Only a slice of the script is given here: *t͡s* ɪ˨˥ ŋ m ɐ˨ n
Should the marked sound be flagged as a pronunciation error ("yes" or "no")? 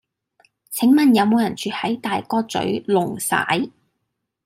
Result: yes